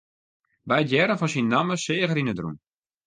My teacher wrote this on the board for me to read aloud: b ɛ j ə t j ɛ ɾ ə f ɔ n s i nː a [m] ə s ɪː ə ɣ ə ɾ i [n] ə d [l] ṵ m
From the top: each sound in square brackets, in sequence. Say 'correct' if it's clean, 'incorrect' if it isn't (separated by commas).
correct, correct, incorrect